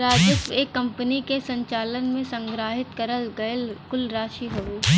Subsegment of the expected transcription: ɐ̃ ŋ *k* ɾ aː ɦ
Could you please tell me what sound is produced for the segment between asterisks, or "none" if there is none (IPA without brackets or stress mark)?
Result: ɡ